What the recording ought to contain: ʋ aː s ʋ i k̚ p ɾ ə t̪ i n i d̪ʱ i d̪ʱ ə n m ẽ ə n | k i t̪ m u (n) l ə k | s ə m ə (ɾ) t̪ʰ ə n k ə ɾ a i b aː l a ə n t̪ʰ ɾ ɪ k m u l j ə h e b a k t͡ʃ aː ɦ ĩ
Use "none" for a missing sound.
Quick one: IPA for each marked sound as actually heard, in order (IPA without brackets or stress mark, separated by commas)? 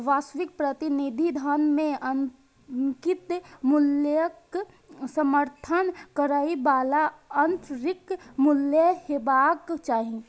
none, ɾ